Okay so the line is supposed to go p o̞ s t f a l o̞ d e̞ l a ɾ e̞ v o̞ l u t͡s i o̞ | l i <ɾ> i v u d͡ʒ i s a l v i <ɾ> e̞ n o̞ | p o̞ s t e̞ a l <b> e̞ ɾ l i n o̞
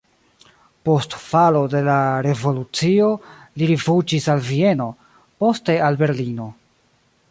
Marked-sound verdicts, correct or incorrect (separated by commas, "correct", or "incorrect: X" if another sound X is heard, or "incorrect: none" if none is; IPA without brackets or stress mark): correct, incorrect: none, correct